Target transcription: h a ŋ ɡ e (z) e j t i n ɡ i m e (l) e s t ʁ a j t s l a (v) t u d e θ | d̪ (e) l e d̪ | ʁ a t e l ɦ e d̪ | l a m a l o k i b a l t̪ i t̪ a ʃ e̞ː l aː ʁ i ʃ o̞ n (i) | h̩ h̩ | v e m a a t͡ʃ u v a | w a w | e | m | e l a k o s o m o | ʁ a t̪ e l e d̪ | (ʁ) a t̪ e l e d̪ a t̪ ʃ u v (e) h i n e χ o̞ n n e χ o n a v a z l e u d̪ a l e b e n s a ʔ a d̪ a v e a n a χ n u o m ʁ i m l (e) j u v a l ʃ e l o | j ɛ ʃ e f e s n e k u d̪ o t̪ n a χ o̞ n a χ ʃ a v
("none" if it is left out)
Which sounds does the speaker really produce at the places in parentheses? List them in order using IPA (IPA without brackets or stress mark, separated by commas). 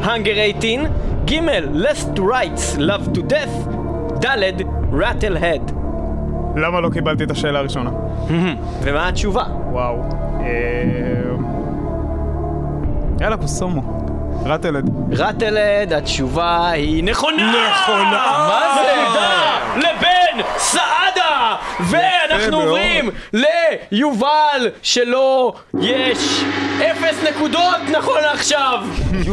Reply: ʁ, lː, v, a, a, ʁ, a, e